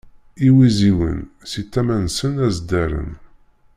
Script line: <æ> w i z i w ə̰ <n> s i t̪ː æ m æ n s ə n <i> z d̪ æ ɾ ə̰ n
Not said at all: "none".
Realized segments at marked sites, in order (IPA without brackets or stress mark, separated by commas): i, n, æ